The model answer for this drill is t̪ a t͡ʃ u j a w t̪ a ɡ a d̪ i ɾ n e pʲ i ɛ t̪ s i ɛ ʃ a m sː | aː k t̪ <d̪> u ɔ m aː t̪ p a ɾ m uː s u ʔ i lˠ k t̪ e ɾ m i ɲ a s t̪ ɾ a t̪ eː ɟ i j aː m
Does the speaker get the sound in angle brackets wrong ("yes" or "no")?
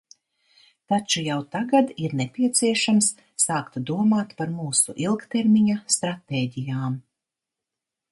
no